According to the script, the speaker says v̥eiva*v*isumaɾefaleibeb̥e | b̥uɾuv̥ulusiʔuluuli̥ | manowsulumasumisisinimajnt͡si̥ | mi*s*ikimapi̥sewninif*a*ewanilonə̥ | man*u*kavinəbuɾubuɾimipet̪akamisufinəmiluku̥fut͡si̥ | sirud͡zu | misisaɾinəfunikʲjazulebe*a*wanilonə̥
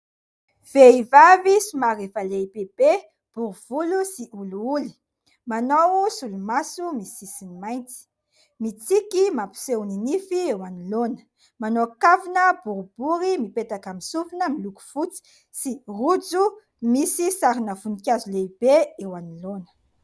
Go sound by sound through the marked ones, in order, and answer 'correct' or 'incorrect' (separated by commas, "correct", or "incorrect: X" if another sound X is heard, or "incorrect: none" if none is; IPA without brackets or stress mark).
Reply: correct, incorrect: t͡s, incorrect: i, incorrect: o, incorrect: e